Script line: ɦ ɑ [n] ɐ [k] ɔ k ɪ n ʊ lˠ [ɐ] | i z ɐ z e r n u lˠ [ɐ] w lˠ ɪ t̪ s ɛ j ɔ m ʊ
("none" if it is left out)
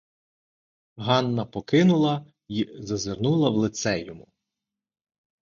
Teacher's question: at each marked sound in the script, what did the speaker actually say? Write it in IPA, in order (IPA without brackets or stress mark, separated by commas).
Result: nː, p, ɐ, ɐ